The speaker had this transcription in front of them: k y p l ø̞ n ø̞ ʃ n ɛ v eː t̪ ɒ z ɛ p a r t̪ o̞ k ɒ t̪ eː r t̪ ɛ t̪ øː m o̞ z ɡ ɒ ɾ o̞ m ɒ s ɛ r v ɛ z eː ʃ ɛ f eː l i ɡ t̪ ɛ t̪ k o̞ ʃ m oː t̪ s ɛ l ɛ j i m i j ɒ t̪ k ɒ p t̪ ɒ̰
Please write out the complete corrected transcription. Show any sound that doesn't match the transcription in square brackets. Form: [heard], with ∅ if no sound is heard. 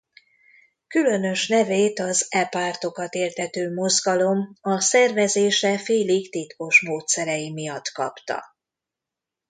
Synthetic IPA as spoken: k y [∅] l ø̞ n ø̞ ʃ n ɛ v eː t̪ ɒ z ɛ p a r t̪ o̞ k ɒ t̪ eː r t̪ ɛ t̪ øː m o̞ z ɡ ɒ [l] o̞ m ɒ s ɛ r v ɛ z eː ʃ ɛ f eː l i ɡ t̪ [i] t̪ k o̞ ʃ m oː t̪ s ɛ [ɾ] ɛ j i m i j ɒ t̪ k ɒ p t̪ ɒ̰